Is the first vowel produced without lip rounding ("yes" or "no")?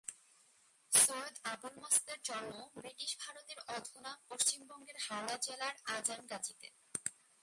no